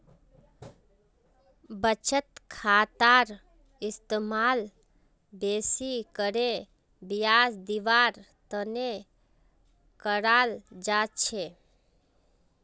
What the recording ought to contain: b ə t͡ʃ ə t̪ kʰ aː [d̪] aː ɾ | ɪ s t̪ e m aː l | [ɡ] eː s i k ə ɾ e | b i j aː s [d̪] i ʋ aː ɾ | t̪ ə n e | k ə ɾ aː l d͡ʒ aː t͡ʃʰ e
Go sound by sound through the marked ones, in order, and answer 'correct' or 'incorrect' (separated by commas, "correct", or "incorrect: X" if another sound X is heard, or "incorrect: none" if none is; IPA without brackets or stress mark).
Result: incorrect: t̪, incorrect: b, correct